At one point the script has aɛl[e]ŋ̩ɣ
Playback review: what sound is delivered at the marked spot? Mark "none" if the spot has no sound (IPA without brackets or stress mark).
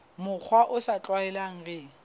a